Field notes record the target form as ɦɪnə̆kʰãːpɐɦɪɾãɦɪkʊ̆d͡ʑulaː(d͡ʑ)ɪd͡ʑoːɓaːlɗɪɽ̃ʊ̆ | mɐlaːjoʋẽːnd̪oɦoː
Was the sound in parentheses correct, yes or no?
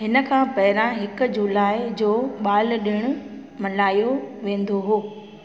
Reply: no